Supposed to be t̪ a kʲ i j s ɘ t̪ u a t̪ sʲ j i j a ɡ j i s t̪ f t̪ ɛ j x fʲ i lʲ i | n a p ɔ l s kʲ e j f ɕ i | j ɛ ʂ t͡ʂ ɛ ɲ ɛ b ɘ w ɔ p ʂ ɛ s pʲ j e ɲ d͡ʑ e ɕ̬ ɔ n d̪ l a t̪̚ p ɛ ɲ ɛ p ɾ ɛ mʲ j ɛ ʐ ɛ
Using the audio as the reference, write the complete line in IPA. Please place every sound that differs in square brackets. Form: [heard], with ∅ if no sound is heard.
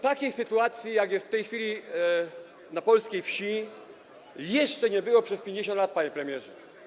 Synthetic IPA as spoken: t̪ a kʲ [e] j s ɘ t̪ u a t̪ sʲ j i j a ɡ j [ɛ] s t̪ f t̪ ɛ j x fʲ i lʲ i | n a p ɔ l s kʲ e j f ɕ i | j ɛ ʂ t͡ʂ ɛ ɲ ɛ b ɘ w ɔ p ʂ ɛ s pʲ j e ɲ d͡ʑ e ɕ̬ ɔ n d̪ l a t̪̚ p [a] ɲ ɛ p ɾ ɛ mʲ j ɛ ʐ ɛ